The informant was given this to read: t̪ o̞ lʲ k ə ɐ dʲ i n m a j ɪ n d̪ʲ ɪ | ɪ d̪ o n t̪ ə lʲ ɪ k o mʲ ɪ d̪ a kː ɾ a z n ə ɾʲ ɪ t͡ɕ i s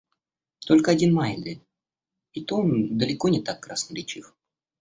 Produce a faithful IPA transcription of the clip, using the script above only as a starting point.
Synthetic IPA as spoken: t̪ o̞ lʲ k ə ɐ dʲ i n m a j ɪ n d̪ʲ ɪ | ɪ t̪ o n d̪ ə lʲ ɪ k o nʲ ɪ t̪ a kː ɾ a s n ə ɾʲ ɪ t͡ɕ i f